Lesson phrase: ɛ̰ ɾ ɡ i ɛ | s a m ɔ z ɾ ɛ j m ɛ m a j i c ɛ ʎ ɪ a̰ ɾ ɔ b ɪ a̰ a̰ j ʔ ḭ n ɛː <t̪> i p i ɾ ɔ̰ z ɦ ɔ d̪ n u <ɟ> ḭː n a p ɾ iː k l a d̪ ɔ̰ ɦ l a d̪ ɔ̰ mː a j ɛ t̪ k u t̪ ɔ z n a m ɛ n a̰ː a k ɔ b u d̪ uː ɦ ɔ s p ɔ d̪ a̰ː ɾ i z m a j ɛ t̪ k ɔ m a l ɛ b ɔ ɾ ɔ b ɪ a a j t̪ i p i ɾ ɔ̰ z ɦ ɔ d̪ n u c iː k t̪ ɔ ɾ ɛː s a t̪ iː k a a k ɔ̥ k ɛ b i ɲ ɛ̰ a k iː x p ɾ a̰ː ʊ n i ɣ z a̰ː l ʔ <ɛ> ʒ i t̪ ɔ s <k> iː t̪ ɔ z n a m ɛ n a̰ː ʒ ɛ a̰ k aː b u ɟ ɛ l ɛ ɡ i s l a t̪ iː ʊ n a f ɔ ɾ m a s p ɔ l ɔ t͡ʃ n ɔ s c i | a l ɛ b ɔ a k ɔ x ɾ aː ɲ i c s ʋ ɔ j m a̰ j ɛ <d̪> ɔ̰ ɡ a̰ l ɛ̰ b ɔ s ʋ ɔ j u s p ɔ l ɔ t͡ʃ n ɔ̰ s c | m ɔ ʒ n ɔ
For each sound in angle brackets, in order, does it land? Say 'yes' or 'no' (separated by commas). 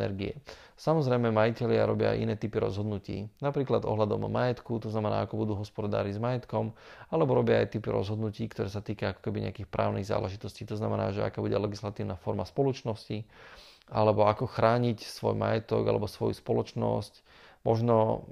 yes, no, yes, no, no